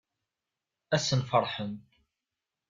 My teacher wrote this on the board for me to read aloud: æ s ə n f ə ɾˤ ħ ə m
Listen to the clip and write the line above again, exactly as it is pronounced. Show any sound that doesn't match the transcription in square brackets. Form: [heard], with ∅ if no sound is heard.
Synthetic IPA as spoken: æ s ə n f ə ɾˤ ħ ə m